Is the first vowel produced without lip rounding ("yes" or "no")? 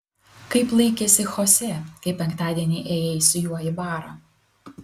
yes